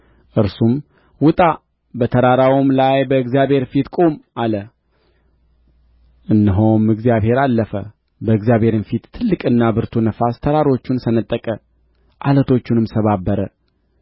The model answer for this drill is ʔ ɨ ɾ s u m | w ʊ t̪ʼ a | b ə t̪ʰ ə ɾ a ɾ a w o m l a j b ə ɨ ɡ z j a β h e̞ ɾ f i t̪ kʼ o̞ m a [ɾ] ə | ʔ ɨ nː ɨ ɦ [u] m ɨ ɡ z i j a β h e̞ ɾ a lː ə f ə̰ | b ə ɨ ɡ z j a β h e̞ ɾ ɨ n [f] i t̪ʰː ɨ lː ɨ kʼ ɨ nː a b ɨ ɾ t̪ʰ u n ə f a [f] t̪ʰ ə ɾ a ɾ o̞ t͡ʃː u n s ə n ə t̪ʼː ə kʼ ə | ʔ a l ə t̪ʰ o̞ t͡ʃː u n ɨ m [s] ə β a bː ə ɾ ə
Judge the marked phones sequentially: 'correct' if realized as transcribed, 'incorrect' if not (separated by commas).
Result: incorrect, incorrect, correct, incorrect, correct